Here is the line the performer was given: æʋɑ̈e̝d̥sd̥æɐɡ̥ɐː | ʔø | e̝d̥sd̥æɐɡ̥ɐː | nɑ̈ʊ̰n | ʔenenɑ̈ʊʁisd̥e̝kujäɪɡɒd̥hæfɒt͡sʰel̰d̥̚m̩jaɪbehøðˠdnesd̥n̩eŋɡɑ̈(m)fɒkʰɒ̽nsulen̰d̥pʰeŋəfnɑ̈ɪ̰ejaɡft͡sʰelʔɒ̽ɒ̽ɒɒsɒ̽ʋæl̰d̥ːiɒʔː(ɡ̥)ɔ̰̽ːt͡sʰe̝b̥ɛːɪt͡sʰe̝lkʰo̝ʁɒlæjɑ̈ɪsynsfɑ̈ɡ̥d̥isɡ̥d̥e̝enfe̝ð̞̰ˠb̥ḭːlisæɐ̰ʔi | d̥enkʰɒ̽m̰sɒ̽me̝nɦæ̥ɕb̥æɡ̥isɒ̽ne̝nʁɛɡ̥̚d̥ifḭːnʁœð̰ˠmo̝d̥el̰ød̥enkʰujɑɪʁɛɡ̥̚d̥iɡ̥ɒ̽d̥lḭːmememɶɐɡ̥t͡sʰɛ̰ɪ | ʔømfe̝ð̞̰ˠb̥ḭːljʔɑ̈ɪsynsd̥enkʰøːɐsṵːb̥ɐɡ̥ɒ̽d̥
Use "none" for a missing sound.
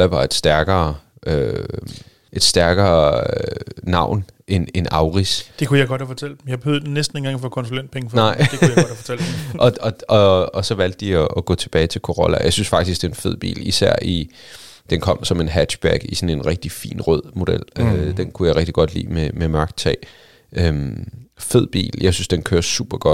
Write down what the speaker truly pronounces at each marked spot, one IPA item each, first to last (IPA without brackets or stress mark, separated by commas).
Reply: ŋ, ɡ̥